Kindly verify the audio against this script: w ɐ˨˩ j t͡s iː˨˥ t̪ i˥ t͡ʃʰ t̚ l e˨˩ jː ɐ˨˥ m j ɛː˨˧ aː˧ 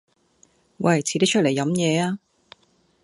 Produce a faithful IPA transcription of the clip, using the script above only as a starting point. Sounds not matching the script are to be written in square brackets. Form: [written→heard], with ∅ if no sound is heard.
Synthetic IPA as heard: w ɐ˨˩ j [t͡s→t͡sʰ] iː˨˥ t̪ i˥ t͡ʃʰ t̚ l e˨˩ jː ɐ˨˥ m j ɛː˨˧ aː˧

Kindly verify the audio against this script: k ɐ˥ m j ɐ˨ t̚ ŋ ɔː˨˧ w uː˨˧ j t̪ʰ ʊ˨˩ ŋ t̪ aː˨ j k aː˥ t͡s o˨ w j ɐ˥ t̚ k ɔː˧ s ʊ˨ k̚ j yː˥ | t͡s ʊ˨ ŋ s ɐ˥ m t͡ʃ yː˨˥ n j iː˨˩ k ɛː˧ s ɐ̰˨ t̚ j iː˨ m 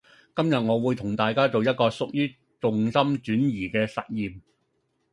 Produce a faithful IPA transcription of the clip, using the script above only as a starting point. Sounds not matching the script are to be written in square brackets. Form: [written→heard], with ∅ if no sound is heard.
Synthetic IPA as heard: k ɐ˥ m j ɐ˨ t̚ ŋ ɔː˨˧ w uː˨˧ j t̪ʰ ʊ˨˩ ŋ t̪ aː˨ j k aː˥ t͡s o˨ w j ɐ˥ t̚ k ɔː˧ s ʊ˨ k̚ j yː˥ | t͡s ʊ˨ ŋ s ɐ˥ m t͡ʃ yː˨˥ n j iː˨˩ k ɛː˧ s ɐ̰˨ t̚ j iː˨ m

